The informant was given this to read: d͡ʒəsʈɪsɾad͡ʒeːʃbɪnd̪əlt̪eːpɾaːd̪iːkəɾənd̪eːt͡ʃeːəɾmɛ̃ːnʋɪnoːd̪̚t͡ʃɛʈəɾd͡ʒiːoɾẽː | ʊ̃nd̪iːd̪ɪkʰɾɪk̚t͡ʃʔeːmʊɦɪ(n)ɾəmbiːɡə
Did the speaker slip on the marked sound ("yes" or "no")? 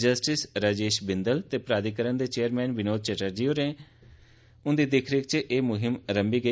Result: yes